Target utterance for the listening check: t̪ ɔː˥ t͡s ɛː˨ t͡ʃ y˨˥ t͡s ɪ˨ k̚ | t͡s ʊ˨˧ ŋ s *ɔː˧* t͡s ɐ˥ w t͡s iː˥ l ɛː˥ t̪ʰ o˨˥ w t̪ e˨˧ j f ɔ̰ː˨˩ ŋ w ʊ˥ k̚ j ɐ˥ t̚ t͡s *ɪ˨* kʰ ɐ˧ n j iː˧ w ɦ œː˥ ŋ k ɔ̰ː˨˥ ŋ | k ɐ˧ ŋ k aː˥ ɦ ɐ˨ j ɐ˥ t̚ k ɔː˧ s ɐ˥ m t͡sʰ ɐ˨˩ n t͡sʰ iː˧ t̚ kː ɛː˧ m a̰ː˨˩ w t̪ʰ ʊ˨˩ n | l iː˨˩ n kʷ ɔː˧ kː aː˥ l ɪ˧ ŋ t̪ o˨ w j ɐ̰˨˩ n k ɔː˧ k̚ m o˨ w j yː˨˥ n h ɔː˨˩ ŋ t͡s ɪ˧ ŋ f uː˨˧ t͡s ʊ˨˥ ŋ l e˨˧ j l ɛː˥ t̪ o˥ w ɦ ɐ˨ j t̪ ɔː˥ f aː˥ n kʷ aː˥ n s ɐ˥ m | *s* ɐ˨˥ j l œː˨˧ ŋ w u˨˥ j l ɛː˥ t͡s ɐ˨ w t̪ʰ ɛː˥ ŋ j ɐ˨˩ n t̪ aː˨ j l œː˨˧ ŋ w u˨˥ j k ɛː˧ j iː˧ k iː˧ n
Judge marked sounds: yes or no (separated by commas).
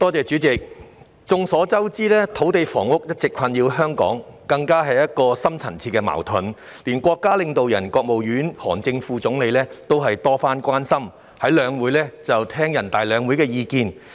no, yes, no